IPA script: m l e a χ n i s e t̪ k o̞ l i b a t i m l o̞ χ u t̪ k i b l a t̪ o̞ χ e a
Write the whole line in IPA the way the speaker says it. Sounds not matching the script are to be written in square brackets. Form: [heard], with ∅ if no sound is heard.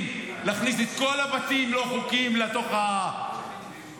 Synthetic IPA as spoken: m l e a χ n i s e t̪ k o̞ l [a] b a t i m l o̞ χ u [∅] k i [m] l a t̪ o̞ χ [a] a